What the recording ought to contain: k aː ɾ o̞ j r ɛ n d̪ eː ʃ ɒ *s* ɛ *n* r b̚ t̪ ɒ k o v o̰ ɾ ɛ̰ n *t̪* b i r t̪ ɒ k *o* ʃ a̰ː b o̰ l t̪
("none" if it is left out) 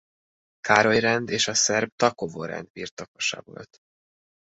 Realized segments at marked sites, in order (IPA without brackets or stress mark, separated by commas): s, none, d̪, o